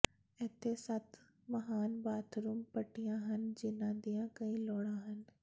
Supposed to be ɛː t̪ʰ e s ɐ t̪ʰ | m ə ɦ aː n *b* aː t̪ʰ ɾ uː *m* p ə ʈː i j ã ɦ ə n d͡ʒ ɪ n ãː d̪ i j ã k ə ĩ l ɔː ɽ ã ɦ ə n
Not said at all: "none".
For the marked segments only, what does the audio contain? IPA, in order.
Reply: b, m

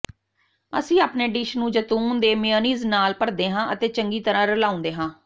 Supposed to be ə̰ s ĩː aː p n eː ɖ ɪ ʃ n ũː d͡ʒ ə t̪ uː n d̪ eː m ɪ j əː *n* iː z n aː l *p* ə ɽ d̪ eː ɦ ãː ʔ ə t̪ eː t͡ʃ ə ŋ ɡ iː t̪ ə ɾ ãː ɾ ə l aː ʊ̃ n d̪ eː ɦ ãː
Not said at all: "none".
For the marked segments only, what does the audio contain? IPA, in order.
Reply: n, p

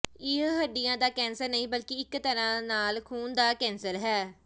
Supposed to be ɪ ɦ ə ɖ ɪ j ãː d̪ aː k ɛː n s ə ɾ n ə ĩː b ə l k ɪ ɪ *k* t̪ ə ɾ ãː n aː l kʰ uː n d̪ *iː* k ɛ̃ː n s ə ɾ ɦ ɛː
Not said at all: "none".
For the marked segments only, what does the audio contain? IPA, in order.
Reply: k, aː

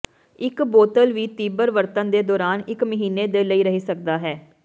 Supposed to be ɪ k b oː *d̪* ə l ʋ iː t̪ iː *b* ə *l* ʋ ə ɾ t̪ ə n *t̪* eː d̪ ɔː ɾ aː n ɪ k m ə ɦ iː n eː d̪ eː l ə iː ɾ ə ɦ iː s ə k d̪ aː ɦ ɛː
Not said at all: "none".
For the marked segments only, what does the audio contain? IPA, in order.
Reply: t̪, b, ɾ, d̪

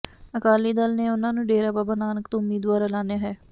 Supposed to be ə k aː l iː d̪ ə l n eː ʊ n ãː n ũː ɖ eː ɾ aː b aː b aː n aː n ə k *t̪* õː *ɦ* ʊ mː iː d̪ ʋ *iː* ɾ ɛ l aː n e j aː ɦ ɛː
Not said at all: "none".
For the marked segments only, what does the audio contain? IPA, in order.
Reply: t̪, none, aː

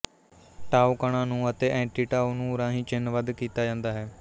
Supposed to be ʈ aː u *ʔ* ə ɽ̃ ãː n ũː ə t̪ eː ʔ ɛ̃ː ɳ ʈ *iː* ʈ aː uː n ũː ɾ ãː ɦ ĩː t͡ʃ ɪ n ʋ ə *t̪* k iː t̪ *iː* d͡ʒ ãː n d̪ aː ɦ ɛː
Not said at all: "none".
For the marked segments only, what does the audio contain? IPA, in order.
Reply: k, iː, d̪, aː

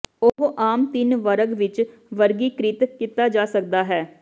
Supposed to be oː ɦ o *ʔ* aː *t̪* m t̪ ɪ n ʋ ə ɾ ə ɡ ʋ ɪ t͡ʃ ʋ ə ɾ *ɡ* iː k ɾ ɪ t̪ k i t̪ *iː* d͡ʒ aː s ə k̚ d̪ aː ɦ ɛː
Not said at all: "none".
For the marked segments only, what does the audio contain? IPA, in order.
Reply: ʔ, none, ɡ, aː

